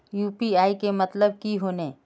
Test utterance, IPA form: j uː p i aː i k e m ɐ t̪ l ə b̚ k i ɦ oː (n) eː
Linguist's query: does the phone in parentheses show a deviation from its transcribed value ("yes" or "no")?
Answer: no